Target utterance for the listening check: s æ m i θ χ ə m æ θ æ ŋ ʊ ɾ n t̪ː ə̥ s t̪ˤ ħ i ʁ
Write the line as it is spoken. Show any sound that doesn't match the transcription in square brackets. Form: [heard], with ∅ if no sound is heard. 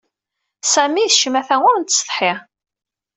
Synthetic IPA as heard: s æ m i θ [ʃ] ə m æ θ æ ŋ ʊ ɾ n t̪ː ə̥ s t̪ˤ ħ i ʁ